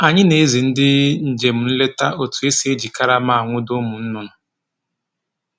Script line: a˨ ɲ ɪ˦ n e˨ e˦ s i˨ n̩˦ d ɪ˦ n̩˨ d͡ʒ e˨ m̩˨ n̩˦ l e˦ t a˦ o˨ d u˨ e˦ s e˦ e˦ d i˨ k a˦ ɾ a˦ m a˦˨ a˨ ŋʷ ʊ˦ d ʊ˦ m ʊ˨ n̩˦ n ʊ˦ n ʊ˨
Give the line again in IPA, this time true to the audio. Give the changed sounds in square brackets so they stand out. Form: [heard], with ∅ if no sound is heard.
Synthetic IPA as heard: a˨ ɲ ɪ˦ n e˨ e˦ [z] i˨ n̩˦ d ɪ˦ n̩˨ d͡ʒ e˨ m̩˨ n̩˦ l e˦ t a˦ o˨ [t] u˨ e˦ s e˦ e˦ [d͡ʒ] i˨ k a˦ ɾ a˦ m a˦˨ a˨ ŋʷ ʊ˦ d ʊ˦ m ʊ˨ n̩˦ n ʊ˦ n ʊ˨